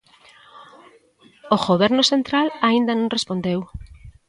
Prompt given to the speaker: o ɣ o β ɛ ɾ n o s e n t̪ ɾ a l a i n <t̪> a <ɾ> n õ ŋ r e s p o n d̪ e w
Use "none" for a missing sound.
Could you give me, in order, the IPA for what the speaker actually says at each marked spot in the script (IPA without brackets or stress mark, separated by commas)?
d̪, none